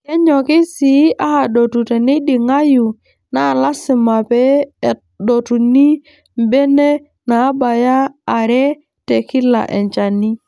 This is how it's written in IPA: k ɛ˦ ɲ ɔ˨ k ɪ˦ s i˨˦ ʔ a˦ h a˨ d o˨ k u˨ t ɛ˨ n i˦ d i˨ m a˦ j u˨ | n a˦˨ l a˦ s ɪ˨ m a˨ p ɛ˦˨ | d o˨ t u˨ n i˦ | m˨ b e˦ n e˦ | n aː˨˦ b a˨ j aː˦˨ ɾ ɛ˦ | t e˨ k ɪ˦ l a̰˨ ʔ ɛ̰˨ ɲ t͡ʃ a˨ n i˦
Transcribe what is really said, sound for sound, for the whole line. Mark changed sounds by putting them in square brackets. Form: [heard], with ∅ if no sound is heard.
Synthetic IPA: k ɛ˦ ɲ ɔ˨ k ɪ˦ s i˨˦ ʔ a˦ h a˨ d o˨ [t] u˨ t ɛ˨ n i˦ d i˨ [ŋ] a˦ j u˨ | n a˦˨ l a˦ s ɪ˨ m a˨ p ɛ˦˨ | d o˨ t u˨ n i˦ | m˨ b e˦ n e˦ | n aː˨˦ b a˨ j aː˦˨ ɾ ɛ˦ | t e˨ k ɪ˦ l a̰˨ ʔ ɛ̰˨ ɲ t͡ʃ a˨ n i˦